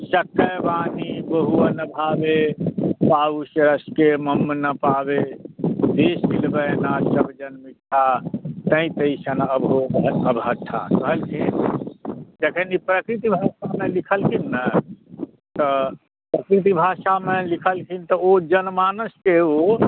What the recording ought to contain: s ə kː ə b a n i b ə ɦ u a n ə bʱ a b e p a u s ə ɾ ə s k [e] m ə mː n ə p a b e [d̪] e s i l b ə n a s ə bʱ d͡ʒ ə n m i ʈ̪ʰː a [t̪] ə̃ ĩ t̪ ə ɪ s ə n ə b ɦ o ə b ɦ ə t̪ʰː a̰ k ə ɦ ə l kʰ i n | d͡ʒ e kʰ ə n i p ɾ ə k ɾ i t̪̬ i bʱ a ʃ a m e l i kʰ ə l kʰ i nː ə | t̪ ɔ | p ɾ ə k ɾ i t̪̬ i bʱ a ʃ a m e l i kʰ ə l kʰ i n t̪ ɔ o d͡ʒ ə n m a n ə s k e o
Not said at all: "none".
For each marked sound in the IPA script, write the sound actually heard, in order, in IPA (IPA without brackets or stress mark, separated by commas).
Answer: e, d̪, t̪